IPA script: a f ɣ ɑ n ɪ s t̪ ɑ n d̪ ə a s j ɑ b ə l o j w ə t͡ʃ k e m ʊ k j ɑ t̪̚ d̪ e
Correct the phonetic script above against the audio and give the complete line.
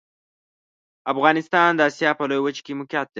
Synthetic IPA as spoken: a f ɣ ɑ n ɪ s t̪ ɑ n d̪ ə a s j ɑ p ə l o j w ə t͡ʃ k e m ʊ k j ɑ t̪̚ d̪ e